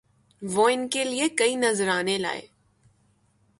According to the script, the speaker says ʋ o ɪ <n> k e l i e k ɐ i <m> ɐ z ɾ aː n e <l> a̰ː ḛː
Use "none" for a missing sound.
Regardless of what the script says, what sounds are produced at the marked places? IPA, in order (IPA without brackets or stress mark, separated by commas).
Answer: n, n, l